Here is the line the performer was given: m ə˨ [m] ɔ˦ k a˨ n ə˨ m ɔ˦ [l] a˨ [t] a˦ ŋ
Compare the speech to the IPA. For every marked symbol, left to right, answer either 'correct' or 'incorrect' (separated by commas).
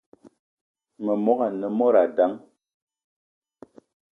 correct, incorrect, incorrect